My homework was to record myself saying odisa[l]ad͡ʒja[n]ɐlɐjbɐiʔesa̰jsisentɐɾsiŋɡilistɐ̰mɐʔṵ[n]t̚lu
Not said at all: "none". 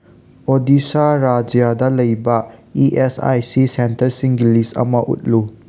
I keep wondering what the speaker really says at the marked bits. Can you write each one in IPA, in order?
ɾ, d, none

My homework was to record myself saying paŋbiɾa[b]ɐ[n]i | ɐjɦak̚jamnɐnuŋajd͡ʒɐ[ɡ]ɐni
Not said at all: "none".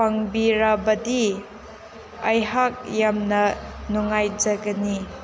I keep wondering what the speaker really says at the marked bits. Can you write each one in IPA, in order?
b, d, ɡ

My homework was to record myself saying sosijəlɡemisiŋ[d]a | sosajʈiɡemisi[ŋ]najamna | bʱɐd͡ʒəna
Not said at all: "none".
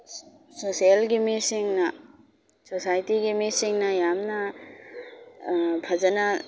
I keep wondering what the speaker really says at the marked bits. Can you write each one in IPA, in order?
n, ŋ

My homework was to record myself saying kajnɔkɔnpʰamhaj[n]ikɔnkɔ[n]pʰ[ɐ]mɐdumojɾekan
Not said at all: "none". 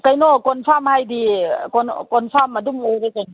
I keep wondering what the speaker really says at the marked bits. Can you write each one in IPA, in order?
d, n, a

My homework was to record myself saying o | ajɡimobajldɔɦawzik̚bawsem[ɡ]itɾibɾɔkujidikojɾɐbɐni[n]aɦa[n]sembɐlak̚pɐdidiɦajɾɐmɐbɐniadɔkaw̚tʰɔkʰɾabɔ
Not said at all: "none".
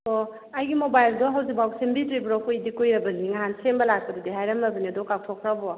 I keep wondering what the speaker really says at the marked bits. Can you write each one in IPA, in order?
b, ŋ, n

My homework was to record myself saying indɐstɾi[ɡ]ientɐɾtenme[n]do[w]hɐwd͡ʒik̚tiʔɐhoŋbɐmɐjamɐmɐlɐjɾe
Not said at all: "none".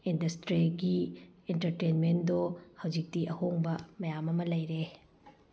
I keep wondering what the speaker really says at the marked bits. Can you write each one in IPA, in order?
ɡ, n, none

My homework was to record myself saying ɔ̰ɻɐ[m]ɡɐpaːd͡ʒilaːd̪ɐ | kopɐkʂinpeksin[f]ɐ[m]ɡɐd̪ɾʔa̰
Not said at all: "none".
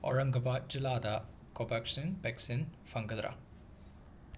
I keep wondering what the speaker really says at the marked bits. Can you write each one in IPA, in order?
ŋ, f, ŋ

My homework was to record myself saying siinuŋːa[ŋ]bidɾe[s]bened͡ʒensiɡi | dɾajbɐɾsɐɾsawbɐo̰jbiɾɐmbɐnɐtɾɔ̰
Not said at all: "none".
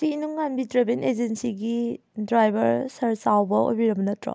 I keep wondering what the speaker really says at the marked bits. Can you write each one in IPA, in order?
n, none

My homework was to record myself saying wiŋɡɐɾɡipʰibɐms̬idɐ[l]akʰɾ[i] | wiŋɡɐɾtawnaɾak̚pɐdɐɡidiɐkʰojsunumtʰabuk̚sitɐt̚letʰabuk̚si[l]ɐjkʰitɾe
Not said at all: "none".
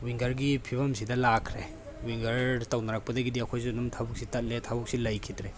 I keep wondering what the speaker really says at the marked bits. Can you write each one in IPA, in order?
l, e, l

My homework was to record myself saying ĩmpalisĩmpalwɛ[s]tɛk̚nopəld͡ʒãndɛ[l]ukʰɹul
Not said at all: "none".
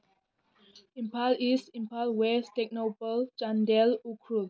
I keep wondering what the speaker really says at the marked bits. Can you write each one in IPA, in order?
s, l

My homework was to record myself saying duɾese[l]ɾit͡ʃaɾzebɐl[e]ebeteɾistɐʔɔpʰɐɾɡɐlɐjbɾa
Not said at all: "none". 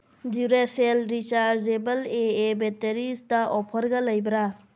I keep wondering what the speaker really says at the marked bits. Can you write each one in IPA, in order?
l, e

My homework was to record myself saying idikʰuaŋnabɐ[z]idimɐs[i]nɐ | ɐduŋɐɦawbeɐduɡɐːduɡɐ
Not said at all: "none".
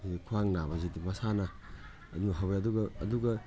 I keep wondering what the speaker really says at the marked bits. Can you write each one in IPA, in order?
z, a

